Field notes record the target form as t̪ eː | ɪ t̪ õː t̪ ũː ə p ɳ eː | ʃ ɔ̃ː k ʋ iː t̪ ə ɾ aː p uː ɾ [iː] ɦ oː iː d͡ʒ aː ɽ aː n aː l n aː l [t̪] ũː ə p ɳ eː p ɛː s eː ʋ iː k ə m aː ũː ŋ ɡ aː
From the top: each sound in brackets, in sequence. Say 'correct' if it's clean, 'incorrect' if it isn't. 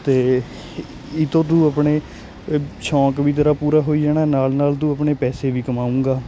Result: incorrect: aː, correct

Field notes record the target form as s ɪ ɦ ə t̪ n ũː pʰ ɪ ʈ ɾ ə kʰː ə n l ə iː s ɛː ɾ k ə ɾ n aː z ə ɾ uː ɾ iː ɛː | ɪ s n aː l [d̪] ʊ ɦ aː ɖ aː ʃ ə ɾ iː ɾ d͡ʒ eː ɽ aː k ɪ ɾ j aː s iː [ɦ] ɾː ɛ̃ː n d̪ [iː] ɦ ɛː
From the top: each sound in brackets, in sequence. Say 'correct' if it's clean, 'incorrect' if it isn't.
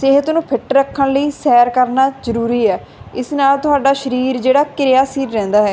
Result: incorrect: t̪, incorrect: none, incorrect: aː

